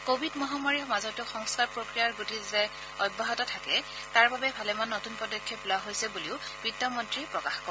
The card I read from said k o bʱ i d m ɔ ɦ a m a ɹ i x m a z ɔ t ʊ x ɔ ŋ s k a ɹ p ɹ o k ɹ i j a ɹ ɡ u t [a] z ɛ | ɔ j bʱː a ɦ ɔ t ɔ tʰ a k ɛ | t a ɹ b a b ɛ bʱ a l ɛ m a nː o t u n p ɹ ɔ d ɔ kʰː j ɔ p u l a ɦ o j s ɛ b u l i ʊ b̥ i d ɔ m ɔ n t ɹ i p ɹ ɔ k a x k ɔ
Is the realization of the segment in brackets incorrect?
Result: yes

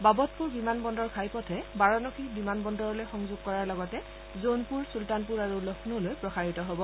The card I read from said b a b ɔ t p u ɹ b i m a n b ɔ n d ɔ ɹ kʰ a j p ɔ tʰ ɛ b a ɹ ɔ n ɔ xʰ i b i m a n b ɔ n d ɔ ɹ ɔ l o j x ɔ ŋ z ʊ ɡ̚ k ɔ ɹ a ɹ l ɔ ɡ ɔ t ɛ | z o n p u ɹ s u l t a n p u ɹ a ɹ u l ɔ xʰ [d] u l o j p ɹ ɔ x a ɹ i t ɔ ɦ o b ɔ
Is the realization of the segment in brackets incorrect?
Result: yes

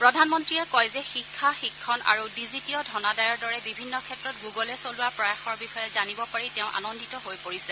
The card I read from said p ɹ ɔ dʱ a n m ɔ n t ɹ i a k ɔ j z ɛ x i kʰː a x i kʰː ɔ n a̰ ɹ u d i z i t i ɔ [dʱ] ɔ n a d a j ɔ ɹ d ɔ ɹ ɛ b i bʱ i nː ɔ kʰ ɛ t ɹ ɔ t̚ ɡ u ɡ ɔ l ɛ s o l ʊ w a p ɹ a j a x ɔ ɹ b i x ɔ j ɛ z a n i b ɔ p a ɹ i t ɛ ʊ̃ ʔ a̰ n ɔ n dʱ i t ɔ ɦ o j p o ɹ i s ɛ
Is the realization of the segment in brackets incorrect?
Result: no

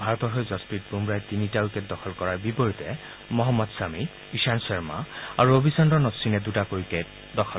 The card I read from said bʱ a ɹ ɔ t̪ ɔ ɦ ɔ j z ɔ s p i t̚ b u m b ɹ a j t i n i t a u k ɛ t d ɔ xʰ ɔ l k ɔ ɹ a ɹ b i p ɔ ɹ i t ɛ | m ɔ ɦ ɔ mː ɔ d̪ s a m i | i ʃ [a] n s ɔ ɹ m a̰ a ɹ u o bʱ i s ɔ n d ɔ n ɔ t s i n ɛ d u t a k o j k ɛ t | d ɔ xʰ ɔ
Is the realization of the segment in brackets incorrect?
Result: no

